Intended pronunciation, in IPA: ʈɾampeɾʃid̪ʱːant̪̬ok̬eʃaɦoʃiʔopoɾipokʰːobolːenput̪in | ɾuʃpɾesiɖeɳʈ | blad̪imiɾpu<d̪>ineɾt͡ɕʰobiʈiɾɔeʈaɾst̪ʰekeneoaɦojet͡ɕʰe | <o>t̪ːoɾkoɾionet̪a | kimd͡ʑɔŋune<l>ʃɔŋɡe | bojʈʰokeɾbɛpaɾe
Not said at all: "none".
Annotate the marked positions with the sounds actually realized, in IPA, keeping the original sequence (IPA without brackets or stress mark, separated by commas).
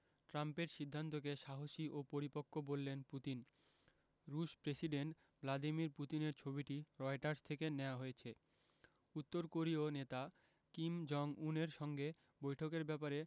t̪, u, ɾ